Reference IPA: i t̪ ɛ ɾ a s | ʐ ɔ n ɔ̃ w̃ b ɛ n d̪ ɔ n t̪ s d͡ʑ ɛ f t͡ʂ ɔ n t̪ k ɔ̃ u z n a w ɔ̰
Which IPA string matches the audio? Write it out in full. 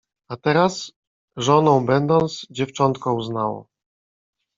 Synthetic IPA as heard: a t̪ ɛ ɾ a s | ʐ ɔ n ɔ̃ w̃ b ɛ n d̪ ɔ n t̪ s d͡ʑ ɛ f t͡ʂ ɔ n t̪ k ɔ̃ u z n a w ɔ̰